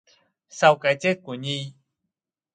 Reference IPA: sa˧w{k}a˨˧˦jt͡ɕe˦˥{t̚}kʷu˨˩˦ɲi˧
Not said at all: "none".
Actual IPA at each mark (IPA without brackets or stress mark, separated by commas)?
k, t̚